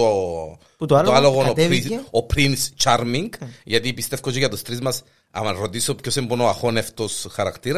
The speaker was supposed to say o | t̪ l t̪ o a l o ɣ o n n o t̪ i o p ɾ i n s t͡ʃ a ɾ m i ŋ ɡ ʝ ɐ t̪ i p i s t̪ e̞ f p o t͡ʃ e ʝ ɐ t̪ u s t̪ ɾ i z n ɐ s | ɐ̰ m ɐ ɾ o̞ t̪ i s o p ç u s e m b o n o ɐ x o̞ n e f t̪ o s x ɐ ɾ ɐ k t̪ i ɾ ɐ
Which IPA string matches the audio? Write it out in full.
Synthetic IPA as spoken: o | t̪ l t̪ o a l o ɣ o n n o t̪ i o p ɾ i n s t͡ʃ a ɾ m i ŋ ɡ ʝ ɐ t̪ i p i s t̪ e̞ f k o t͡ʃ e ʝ ɐ t̪ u s t̪ ɾ i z m ɐ s | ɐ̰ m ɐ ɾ o̞ t̪ i s o p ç o s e m b o n o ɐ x o̞ n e f t̪ o s x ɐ ɾ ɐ k t̪ i ɾ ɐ